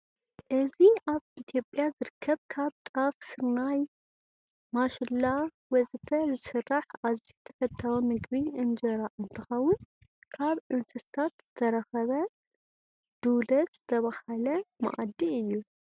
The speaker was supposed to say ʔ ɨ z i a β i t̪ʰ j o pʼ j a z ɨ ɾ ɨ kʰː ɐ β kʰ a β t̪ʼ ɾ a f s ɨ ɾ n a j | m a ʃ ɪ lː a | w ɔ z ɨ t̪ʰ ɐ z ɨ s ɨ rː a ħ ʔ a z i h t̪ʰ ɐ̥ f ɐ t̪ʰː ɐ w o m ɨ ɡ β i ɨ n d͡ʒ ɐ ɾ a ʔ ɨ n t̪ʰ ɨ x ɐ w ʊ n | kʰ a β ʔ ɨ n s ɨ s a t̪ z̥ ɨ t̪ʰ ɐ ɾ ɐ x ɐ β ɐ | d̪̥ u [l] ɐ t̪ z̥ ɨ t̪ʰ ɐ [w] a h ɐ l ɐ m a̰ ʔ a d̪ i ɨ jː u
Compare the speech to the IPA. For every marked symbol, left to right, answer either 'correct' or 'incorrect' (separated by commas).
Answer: correct, incorrect